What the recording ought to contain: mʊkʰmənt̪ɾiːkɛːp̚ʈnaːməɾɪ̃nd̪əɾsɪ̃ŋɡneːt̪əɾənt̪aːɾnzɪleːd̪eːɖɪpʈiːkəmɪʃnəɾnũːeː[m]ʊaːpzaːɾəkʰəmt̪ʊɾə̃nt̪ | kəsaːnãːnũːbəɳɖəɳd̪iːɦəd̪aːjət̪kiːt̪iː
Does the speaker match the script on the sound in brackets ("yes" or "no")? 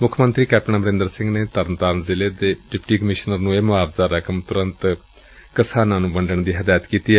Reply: yes